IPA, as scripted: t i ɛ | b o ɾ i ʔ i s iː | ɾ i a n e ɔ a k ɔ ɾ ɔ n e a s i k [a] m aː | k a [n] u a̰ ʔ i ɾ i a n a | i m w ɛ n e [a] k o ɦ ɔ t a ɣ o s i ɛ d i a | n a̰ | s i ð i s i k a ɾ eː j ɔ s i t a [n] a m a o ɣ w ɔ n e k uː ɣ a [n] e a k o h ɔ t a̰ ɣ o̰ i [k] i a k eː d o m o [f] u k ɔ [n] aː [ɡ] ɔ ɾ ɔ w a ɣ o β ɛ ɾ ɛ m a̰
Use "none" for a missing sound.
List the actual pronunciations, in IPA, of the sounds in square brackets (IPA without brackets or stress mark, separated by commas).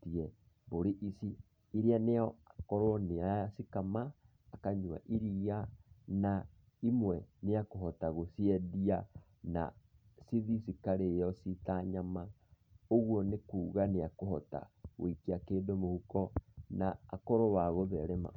a, ɲ, a, ɲ, n, k, h, n, k